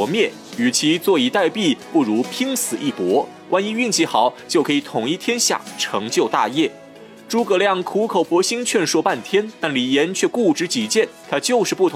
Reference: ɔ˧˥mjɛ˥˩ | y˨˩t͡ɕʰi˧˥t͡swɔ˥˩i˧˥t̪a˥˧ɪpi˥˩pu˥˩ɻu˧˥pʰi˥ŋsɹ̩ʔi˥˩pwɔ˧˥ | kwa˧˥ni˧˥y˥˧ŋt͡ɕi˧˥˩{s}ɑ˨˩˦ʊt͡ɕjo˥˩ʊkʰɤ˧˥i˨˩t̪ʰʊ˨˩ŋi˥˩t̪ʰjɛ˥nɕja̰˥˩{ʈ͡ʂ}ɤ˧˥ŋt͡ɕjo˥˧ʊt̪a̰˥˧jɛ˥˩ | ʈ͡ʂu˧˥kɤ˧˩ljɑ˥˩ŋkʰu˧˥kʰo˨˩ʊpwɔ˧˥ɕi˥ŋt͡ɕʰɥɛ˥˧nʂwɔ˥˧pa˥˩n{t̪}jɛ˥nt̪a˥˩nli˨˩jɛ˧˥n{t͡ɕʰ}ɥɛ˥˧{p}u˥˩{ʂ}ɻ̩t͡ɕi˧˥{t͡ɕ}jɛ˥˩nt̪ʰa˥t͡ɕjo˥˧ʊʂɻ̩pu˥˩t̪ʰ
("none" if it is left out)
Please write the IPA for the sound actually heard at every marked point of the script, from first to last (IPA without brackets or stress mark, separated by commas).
x, ʈ͡ʂʰ, t̪ʰ, t͡ɕʰ, k, ʈ͡ʂ, t͡ɕ